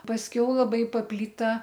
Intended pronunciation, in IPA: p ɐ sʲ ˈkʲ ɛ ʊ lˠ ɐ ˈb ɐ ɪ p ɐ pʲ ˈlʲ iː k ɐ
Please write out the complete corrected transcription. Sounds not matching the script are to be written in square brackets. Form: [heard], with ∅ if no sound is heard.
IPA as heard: p ɐ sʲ ˈkʲ ɛ ʊ lˠ ɐ ˈb ɐ ɪ p ɐ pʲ ˈlʲ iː [t] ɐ